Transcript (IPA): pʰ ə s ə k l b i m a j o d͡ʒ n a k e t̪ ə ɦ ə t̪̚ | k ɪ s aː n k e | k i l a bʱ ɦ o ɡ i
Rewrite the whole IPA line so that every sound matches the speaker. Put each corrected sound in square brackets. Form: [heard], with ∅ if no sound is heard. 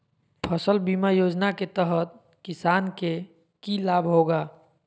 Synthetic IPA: pʰ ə s ə [∅] l b i m a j o d͡ʒ n a k e t̪ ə ɦ ə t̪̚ | k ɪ s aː n k e | k i l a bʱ ɦ o ɡ [a]